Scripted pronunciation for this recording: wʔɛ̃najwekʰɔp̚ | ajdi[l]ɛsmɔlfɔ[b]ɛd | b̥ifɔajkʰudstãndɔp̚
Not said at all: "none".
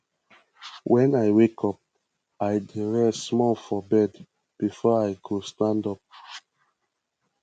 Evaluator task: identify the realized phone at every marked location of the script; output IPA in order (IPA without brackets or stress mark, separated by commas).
ɹ, b